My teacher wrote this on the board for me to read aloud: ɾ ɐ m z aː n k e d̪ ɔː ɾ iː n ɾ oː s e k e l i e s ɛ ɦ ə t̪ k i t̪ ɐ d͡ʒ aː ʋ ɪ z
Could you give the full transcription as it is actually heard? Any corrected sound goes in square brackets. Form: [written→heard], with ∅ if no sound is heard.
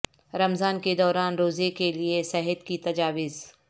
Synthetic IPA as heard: ɾ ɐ m z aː n k e d̪ ɔː ɾ [iː→aː] n ɾ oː [s→z] e k e l i e s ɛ ɦ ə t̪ k i t̪ ɐ d͡ʒ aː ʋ ɪ z